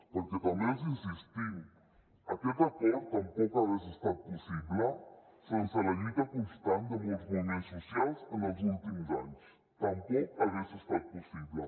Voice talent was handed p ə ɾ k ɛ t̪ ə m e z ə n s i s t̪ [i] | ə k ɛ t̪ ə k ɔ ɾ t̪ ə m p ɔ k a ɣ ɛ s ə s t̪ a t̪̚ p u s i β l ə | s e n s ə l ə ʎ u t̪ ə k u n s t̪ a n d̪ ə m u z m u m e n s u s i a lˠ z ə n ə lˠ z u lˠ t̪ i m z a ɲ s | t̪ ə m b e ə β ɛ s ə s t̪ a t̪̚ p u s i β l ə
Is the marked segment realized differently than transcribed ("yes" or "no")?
no